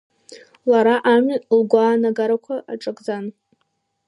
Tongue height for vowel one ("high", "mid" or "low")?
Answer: low